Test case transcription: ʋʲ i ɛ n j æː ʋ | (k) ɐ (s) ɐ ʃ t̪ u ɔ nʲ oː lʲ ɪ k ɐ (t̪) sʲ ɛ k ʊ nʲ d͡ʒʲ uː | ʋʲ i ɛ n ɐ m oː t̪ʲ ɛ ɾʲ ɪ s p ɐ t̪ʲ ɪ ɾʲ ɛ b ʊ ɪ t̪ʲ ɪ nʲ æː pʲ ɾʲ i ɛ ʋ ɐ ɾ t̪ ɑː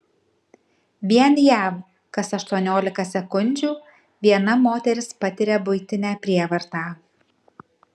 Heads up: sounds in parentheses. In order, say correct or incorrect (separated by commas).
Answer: correct, correct, incorrect